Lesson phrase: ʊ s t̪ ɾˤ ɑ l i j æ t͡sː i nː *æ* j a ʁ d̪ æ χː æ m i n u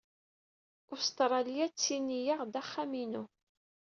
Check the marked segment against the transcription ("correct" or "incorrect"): incorrect